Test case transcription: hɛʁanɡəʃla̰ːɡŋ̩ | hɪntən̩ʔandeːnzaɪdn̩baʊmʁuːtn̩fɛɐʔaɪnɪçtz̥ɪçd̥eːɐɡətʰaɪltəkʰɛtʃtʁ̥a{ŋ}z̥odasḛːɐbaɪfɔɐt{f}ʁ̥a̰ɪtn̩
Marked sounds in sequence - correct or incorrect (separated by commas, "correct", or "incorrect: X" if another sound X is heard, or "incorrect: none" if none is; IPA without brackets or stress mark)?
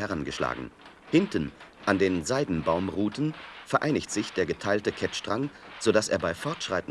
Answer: correct, incorrect: ʃ